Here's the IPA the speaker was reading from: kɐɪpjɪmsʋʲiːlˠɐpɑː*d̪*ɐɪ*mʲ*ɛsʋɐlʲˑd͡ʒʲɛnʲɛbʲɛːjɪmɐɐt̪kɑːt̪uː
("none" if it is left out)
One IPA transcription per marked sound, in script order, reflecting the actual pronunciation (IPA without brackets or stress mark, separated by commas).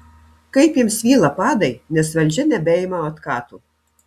d̪, nʲ